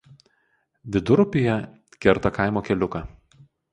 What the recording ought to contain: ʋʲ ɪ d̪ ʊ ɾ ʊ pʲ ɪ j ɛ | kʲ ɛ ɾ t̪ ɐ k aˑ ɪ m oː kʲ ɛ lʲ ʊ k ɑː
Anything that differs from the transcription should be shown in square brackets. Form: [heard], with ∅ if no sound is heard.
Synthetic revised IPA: ʋʲ ɪ d̪ ʊ ɾ ʊ pʲ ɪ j ɛ | kʲ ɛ ɾ t̪ ɐ k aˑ ɪ m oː kʲ ɛ lʲ ʊ k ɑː